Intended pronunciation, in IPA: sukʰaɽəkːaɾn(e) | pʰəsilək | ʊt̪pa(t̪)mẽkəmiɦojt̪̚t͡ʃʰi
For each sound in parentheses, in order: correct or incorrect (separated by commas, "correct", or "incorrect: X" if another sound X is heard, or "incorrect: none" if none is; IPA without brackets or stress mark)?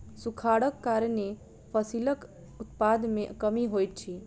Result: correct, incorrect: d̪